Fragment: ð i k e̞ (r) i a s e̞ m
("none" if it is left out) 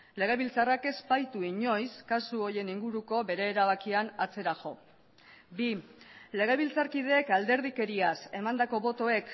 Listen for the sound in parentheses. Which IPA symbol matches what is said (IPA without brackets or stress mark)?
ɾ